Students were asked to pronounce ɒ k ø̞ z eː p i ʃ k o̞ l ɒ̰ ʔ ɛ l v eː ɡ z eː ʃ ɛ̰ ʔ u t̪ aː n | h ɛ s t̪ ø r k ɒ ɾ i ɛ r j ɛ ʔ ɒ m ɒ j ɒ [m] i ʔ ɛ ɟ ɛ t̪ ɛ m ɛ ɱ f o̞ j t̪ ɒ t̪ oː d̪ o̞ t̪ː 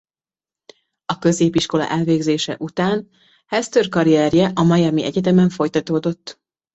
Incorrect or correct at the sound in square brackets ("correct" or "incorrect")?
correct